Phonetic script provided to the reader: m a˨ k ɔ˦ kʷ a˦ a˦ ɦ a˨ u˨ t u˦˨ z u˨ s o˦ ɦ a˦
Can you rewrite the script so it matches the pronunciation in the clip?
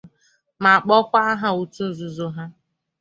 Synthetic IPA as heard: m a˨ k͡p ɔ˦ kʷ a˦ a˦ ɦ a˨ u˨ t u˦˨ z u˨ z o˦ ɦ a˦